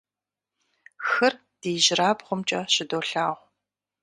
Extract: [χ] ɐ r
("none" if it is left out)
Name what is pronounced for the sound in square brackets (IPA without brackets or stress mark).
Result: x